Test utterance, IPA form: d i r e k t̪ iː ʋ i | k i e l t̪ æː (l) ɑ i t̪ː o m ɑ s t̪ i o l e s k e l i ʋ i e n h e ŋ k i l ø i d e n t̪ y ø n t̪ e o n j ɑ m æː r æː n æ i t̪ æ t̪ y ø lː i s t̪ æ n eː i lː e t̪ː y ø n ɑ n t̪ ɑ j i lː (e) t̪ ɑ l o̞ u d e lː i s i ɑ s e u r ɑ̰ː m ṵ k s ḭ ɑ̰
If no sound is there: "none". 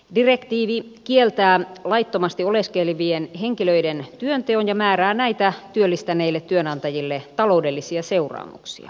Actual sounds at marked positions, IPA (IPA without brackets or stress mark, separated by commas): l, e